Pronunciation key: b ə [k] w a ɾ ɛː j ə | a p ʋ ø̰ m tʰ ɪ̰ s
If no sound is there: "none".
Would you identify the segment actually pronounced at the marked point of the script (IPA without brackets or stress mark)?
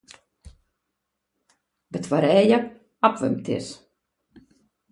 t